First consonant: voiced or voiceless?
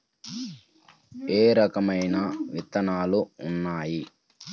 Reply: voiced